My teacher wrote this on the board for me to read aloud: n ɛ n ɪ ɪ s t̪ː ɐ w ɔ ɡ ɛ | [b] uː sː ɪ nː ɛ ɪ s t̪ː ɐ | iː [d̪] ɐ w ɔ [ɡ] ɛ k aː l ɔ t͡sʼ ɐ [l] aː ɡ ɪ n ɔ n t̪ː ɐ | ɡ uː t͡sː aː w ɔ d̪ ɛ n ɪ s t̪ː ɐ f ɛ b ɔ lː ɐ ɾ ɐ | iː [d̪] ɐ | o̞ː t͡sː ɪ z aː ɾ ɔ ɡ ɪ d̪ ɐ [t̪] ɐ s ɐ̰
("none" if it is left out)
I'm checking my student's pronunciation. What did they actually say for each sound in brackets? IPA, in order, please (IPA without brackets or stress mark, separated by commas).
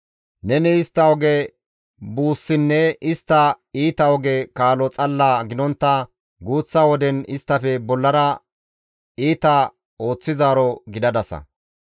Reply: b, t̪, ɡ, lː, t̪, d̪